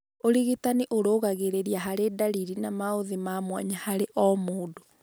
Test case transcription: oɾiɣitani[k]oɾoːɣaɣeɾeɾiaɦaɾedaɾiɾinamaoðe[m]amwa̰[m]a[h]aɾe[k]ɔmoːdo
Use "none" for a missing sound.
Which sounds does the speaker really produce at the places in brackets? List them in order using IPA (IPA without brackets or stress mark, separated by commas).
ʔ, m, ɲ, h, ʔ